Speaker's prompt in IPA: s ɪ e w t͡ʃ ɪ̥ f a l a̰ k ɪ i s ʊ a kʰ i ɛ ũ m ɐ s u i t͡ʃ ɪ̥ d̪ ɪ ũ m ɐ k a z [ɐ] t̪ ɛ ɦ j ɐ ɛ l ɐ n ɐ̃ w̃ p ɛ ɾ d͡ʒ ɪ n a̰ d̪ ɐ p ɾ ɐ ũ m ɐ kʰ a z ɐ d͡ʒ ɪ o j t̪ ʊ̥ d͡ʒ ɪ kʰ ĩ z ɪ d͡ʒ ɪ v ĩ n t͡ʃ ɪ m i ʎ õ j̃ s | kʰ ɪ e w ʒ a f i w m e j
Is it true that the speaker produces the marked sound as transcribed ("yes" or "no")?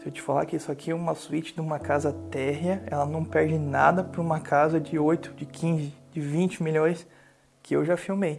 yes